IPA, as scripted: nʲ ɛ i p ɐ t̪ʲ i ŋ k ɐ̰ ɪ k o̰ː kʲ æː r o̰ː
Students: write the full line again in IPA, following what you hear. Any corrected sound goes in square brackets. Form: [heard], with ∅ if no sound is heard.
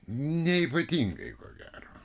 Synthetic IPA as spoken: nʲ ɛ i p ɐ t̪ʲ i ŋ [ɡ] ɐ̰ ɪ k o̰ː [ɡʲ] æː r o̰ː